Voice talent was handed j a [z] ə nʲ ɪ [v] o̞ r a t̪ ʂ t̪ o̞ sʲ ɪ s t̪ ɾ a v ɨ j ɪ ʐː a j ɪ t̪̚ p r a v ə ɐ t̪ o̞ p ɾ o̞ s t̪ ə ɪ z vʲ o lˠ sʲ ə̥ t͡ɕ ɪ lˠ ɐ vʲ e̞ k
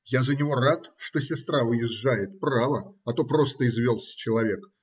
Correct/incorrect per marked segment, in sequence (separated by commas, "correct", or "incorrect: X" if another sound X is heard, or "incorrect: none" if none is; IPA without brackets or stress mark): correct, correct